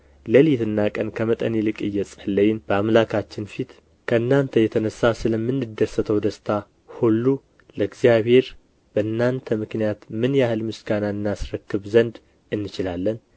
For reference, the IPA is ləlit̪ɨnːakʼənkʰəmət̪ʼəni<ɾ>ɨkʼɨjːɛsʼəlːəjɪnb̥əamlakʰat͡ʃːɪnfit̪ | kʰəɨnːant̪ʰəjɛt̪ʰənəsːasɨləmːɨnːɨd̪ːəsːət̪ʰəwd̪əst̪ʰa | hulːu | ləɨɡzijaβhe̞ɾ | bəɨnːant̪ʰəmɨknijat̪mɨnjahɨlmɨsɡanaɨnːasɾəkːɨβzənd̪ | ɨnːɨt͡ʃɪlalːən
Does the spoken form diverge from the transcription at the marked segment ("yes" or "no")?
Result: yes